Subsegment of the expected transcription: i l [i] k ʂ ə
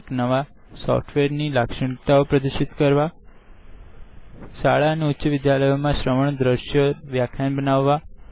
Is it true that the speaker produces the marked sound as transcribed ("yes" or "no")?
no